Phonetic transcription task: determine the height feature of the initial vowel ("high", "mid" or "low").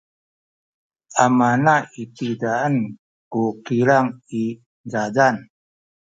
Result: low